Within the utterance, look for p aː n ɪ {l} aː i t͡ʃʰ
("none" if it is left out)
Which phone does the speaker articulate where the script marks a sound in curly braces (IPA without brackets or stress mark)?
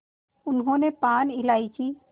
l